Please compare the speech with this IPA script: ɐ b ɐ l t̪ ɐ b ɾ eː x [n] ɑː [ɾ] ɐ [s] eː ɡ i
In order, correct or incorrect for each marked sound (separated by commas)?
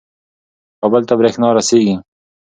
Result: correct, correct, correct